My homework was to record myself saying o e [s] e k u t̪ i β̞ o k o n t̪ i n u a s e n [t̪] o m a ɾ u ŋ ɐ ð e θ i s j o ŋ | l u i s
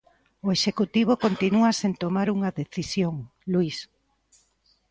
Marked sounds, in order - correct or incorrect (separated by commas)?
incorrect, correct